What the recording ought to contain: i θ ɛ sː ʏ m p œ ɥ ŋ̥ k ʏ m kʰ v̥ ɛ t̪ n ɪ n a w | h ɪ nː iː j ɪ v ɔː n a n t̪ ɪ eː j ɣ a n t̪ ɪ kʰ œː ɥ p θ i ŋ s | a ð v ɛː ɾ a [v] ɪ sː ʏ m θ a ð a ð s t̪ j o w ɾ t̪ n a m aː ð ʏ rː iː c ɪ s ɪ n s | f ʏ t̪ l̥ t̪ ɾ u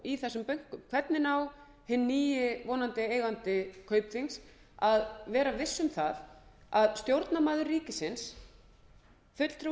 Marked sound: correct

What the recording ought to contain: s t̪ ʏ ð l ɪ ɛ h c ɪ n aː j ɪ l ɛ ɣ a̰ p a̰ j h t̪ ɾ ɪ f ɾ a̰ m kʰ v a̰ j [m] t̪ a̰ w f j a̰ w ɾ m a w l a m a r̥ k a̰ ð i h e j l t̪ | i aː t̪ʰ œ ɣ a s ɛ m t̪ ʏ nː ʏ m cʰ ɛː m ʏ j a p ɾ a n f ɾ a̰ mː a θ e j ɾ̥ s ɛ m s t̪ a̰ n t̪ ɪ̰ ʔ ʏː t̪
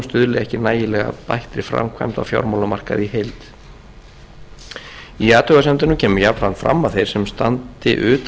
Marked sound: correct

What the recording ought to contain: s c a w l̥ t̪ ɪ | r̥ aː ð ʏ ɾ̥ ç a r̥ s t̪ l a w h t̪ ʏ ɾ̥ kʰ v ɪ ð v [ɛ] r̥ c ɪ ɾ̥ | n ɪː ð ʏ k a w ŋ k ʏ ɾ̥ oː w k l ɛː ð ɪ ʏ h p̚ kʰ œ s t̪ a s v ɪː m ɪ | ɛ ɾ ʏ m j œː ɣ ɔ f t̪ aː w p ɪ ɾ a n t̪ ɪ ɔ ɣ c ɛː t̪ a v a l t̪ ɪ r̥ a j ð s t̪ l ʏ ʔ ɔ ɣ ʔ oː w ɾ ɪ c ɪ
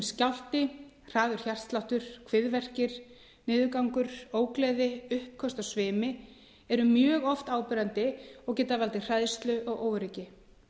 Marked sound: correct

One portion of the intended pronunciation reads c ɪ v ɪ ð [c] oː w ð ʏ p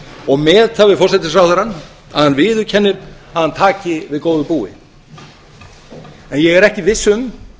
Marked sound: incorrect: k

